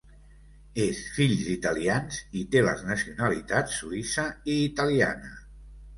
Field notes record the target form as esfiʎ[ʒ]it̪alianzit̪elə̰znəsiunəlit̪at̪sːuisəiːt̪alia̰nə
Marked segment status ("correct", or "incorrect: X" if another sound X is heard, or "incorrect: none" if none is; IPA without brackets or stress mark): incorrect: z